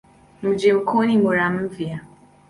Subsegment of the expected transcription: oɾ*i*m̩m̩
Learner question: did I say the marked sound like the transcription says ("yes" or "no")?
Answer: no